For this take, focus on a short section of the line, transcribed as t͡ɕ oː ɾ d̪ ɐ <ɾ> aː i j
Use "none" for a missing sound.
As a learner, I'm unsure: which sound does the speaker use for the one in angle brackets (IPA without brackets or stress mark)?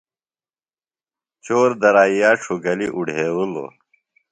ɾ